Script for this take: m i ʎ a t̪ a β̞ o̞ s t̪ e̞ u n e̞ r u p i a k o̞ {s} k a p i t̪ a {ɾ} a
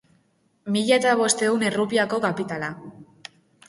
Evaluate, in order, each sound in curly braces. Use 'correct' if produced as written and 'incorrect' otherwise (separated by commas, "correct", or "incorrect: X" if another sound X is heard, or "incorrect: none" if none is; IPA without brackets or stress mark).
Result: incorrect: none, incorrect: l